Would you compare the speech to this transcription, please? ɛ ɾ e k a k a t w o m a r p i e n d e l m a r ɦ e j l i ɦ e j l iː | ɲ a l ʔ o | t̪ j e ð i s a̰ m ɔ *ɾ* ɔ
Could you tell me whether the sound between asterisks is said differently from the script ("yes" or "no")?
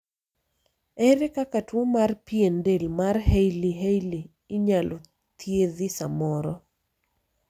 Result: no